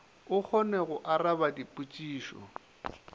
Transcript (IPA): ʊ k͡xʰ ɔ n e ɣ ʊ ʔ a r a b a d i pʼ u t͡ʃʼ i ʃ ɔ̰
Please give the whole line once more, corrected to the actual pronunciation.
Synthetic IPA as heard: ʊ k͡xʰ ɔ n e ɣ ʊ ʔ a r a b a d i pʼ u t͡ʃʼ iː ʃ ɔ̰